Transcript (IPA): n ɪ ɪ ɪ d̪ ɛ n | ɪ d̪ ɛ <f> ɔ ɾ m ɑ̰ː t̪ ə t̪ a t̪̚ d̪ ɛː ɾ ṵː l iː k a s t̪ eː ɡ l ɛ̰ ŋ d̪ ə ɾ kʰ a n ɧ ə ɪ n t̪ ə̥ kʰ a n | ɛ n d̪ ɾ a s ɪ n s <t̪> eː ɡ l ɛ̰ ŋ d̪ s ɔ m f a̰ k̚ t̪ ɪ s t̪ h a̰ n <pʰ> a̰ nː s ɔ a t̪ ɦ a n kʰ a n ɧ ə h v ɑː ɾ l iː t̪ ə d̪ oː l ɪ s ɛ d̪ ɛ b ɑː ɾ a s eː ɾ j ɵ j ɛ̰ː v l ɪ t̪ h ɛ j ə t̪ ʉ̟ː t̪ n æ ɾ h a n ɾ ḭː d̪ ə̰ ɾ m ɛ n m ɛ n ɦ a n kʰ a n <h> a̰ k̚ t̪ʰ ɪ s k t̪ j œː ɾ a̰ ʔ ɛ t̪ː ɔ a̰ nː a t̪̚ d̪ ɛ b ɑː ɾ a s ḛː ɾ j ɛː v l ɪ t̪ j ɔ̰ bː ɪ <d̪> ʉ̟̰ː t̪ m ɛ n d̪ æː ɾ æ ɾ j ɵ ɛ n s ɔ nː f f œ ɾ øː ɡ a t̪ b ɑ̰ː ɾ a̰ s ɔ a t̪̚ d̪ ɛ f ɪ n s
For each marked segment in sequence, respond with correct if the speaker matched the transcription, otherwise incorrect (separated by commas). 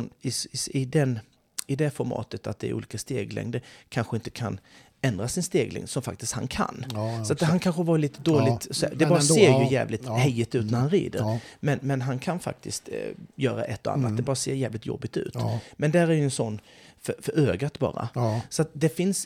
correct, correct, incorrect, incorrect, incorrect